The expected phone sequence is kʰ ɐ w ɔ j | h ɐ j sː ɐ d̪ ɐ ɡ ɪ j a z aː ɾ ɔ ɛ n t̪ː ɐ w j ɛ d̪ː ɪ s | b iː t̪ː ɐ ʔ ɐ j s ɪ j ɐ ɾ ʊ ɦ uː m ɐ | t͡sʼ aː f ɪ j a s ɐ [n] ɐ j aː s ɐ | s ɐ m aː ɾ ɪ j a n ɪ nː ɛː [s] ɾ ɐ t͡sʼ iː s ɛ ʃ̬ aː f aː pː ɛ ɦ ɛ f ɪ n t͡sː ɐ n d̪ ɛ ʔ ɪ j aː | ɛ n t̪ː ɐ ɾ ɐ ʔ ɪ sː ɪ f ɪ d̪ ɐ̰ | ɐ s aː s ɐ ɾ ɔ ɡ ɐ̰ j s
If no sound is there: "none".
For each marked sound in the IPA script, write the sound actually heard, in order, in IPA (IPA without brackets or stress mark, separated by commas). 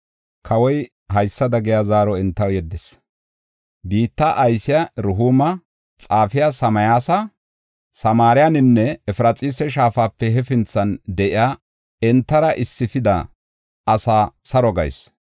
m, f